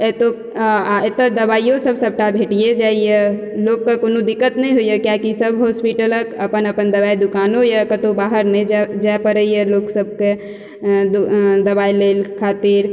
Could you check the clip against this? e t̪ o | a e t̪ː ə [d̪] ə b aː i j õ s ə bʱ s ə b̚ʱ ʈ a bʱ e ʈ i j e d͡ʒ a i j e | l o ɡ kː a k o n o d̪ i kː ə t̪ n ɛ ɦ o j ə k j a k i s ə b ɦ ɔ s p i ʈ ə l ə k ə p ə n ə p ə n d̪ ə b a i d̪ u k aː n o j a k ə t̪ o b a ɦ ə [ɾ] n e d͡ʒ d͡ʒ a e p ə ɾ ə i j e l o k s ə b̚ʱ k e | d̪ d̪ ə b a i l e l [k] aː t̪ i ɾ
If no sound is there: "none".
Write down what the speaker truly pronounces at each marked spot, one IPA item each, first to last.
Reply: d̪, ɾ, kʰ

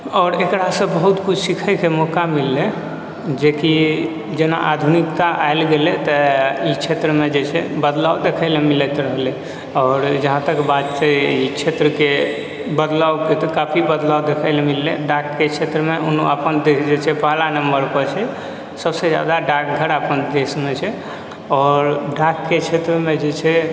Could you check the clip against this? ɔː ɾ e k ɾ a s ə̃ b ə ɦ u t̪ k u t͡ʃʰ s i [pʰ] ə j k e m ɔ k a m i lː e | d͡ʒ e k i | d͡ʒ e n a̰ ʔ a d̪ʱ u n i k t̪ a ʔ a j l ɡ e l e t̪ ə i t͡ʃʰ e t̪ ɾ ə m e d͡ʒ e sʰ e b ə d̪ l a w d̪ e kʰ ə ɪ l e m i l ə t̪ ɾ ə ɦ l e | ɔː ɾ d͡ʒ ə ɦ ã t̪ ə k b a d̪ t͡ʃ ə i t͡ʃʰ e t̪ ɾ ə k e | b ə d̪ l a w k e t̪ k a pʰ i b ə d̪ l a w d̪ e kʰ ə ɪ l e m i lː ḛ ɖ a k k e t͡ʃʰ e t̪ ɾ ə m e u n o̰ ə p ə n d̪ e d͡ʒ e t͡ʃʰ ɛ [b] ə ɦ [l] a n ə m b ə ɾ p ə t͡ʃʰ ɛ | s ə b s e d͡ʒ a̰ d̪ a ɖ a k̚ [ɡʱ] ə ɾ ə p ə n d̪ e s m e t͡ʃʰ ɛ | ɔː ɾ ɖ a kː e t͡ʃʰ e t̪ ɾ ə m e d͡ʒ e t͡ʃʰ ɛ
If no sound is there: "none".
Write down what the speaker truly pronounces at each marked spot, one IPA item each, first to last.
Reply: kʰ, p, l, ɡʱ

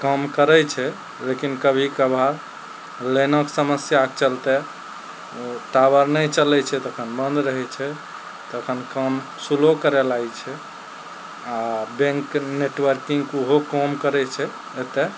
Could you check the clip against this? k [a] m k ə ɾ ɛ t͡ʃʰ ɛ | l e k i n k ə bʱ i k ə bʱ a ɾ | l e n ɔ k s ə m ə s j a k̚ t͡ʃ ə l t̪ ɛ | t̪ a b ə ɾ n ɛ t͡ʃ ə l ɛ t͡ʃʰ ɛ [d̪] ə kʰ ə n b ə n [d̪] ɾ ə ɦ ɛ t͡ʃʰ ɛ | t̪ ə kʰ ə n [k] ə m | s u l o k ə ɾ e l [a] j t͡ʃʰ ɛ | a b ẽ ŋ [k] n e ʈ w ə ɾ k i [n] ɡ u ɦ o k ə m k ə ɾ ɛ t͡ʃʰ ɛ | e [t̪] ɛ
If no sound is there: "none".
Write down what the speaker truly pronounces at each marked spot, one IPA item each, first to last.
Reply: ə, t̪, d̪, k, a, k, ŋ, t̪

